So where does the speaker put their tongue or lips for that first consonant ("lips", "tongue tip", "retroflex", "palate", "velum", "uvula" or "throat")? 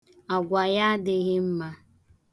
velum